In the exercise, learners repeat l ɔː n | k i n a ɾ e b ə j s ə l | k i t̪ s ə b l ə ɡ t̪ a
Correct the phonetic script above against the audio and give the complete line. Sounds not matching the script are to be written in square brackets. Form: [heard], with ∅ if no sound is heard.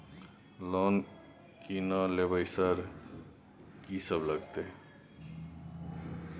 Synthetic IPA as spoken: l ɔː n | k i n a [l] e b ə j s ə [ɾ] | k i [∅] s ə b l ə ɡ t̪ [e]